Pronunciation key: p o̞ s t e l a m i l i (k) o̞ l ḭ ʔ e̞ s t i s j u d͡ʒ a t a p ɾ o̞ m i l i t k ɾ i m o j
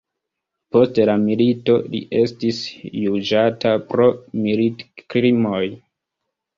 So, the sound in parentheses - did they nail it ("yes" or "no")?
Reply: no